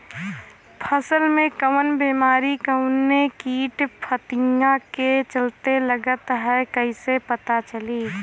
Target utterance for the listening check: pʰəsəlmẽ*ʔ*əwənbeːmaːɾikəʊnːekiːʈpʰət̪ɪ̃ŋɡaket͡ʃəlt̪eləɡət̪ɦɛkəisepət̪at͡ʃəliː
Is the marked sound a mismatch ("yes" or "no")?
yes